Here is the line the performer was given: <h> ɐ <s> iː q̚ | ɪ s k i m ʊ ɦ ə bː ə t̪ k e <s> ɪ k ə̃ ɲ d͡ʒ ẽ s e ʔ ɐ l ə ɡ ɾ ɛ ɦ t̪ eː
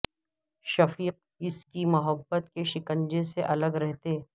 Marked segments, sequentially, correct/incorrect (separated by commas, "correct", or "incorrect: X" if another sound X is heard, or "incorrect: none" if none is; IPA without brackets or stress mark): incorrect: ʃ, incorrect: f, incorrect: ʃ